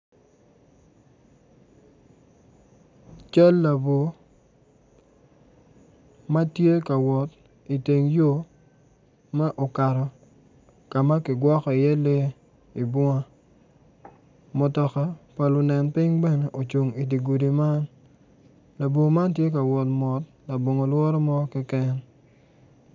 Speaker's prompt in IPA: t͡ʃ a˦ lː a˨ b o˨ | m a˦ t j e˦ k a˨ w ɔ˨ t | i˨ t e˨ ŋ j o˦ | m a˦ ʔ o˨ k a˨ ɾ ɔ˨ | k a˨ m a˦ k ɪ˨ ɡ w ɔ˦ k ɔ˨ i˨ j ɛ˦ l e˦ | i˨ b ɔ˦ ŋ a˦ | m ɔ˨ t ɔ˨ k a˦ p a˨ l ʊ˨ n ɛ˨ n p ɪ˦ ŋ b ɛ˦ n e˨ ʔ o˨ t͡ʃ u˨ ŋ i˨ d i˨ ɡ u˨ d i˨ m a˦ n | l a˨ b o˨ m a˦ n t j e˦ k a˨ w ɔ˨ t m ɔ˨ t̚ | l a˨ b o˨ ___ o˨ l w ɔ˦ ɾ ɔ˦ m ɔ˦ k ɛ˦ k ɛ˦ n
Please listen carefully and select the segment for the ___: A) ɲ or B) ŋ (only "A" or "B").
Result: B